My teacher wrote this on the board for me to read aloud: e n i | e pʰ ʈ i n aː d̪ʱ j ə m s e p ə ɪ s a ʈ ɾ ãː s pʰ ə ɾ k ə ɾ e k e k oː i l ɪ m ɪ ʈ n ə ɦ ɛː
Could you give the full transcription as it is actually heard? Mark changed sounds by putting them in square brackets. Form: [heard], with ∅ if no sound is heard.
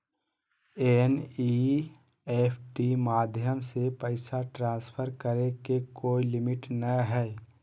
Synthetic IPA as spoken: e n i | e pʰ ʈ i [m] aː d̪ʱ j ə m s e p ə ɪ s a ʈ ɾ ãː s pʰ ə ɾ k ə ɾ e k e k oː i l ɪ m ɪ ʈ n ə ɦ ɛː